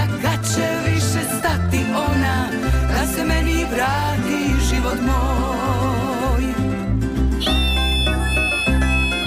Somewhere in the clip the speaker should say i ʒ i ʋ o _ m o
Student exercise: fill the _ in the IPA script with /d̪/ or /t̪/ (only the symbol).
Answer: t̪